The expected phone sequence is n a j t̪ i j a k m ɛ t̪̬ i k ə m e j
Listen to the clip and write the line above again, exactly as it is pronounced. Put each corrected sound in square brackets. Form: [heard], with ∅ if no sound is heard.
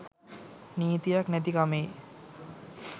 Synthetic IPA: n [i] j t̪ i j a k [n] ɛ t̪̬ i k [a] m e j